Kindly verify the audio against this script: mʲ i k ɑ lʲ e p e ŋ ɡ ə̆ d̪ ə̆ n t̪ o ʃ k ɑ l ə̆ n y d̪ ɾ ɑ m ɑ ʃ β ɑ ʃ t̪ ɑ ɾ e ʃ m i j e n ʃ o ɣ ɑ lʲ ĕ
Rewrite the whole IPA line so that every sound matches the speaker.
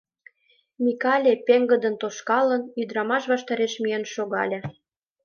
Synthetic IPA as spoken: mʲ i k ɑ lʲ e p e ŋ ɡ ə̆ d̪ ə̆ n t̪ o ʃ k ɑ l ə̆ n y d̪ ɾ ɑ m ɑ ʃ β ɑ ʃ t̪ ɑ ɾ e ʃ m i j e n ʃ o ɣ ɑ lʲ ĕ